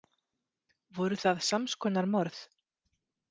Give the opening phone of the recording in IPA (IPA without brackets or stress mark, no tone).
v